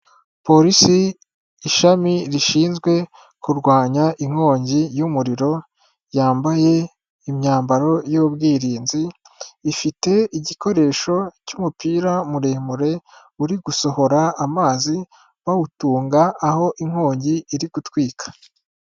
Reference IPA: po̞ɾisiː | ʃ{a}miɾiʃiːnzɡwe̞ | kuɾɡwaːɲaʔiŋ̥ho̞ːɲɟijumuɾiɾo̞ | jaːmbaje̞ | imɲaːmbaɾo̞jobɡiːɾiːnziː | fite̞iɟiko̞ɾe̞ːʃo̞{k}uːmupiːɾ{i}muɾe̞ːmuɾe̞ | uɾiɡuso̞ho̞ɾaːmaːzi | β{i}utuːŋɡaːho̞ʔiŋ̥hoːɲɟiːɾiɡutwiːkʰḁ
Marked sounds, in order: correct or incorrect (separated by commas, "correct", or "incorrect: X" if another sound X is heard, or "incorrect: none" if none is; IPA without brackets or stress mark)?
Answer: correct, incorrect: c, incorrect: a, incorrect: a